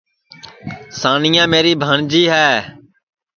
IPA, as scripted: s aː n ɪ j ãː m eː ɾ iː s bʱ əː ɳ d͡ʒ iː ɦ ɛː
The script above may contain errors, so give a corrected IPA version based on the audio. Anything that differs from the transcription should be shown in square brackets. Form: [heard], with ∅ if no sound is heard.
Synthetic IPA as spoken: s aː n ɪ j ãː m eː ɾ iː [∅] bʱ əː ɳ d͡ʒ iː ɦ ɛː